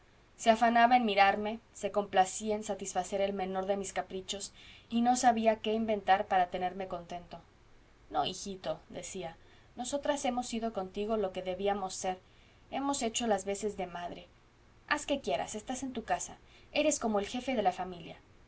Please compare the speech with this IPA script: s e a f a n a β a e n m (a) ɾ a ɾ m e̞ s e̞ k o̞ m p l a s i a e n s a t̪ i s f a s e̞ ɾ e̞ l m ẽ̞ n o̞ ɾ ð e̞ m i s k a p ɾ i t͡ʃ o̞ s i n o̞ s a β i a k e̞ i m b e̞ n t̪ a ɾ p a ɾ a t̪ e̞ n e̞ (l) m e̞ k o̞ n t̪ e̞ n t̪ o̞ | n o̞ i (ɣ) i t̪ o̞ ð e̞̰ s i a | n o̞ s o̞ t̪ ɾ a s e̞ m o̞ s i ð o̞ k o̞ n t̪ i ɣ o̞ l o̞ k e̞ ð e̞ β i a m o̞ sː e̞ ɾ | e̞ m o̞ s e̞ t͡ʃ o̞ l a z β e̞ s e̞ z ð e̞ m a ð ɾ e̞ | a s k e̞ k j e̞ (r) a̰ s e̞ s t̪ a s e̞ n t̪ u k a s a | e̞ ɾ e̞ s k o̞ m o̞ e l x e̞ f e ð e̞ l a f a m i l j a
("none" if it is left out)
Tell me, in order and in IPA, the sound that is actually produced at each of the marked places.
i, ɾ, x, ɾ

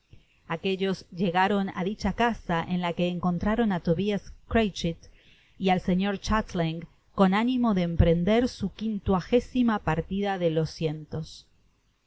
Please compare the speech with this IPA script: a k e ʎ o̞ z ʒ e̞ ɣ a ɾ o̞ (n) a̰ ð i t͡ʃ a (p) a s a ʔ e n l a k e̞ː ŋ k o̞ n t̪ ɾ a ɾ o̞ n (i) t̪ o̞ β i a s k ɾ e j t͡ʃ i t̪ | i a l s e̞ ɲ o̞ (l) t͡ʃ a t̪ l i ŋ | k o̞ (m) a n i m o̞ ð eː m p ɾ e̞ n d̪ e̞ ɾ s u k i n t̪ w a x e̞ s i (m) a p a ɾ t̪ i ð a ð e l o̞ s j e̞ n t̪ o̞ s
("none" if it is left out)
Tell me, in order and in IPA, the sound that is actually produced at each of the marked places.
n, k, a, ɾ, n, m

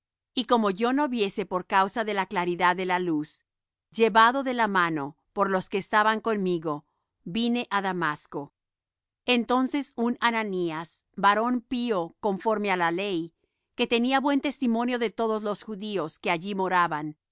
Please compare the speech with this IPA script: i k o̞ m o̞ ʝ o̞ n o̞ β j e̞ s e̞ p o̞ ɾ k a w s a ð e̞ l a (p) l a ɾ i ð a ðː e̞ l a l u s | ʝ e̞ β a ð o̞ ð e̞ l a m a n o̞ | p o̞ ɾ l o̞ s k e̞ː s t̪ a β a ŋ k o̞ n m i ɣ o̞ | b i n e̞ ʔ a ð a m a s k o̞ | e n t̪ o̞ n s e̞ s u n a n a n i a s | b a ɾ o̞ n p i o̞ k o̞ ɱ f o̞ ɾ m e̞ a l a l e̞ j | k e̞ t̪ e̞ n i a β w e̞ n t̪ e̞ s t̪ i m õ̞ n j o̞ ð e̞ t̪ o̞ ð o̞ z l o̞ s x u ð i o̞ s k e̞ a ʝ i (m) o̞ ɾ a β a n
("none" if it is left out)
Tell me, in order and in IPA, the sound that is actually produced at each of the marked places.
k, m

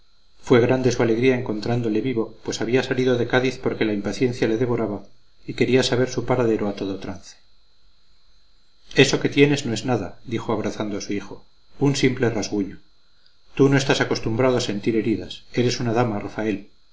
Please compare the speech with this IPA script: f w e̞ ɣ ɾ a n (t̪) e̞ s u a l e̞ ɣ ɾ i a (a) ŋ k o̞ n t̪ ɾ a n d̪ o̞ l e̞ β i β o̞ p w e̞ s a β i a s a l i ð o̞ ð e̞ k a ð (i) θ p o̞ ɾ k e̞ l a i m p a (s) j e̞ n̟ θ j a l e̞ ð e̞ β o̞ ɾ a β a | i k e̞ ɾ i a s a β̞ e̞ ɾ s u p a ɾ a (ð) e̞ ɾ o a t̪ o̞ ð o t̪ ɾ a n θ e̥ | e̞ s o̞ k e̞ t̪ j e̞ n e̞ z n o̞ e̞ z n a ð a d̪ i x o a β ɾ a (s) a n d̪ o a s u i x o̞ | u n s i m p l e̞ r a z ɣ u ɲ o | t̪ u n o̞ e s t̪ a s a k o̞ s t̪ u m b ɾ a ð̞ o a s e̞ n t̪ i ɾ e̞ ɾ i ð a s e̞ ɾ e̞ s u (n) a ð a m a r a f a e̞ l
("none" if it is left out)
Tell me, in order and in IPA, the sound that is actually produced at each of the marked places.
d̪, e, i, θ, ð, θ, n

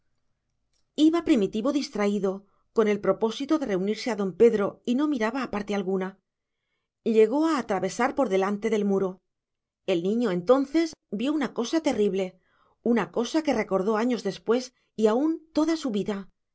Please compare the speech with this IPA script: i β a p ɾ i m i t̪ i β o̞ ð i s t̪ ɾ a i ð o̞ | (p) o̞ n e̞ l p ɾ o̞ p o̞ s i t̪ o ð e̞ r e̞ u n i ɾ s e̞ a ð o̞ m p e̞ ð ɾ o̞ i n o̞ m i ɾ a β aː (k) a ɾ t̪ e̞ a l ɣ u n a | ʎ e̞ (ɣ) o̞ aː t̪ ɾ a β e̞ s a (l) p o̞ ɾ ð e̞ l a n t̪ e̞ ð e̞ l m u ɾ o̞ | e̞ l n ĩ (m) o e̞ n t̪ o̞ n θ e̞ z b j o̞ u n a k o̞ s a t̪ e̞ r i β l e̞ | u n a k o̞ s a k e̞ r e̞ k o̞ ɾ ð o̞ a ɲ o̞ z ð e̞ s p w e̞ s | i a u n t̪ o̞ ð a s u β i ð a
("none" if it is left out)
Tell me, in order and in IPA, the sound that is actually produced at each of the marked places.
k, p, ɣ, ɾ, ɲ

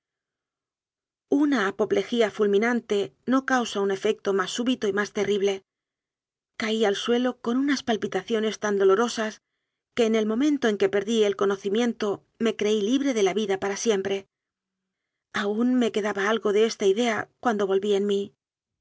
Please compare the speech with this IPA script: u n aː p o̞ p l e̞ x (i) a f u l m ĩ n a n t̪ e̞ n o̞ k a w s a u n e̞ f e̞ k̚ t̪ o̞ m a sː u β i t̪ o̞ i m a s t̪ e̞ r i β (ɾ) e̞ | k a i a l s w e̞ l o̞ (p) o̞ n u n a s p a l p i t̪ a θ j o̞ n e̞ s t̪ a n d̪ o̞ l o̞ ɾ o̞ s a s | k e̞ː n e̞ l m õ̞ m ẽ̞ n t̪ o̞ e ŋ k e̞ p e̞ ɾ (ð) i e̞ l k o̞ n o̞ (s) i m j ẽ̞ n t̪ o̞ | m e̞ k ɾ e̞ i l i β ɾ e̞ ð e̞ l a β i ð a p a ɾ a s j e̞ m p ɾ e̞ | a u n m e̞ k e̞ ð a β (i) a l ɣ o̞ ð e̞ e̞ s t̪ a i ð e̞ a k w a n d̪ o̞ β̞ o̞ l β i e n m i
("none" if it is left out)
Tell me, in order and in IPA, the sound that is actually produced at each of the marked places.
i, l, k, ð, θ, a

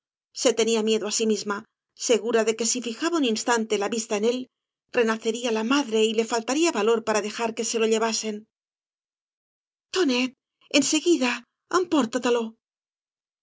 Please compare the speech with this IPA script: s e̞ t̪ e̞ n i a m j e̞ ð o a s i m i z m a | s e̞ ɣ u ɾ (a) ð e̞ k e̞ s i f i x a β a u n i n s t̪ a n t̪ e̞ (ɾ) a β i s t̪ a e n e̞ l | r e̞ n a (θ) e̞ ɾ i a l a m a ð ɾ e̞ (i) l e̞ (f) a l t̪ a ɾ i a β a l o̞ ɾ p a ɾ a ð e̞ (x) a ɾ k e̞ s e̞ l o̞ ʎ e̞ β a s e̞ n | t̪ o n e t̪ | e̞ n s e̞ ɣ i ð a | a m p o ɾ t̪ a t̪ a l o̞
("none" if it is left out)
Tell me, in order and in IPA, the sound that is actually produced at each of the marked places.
a, l, θ, i, f, x

